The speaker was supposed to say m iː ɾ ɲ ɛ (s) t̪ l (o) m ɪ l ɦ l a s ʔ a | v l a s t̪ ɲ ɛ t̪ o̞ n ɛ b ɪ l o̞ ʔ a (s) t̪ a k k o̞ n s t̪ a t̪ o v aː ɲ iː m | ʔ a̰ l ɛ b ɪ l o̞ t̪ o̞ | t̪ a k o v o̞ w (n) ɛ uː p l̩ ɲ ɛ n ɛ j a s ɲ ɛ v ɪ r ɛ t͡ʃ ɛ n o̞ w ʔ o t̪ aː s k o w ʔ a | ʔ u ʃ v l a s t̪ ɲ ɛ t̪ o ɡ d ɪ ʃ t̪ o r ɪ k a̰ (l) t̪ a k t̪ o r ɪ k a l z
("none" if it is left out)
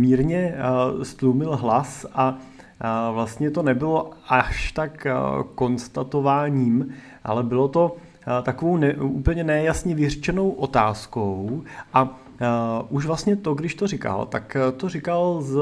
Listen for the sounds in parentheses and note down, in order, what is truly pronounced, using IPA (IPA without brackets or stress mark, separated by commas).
s, u, ʃ, n, l